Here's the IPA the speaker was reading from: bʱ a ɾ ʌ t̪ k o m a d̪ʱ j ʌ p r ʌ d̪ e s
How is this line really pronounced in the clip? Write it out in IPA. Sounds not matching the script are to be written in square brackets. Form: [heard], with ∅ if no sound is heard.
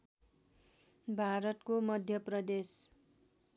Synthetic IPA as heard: bʱ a ɾ ʌ t̪ k o m [ʌ] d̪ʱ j ʌ p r ʌ d̪ e s